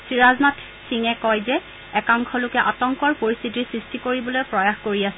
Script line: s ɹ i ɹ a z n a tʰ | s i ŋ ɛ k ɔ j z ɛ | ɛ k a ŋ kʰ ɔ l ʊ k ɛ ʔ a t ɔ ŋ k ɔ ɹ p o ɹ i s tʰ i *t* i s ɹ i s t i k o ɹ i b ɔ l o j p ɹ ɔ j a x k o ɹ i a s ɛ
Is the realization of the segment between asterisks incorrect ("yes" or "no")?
no